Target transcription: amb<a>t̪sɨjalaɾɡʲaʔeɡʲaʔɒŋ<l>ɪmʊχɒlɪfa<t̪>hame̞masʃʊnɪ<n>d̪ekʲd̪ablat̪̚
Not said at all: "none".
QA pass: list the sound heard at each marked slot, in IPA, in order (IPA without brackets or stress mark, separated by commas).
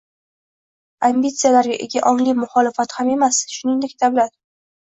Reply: i, l, t̪, ŋ